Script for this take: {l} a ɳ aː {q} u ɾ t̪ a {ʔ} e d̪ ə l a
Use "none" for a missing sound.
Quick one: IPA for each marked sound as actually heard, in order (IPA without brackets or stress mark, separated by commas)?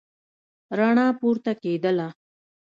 ɾ, p, k